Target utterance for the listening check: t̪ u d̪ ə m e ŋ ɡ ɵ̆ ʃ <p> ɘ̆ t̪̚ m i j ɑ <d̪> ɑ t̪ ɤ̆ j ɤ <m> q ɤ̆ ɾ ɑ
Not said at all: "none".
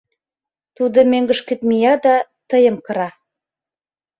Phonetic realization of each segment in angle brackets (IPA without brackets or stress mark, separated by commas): k, d̪, m